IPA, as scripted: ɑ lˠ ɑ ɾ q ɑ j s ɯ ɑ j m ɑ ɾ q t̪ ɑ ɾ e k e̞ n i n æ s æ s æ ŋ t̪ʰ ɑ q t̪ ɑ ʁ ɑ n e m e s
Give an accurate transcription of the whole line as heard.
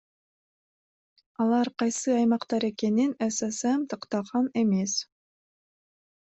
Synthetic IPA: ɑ lˠ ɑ ɾ q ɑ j s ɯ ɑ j m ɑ q t̪ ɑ ɾ e k e̞ n i n æ s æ s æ m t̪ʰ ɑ q t̪ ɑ ʁ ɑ n e m e s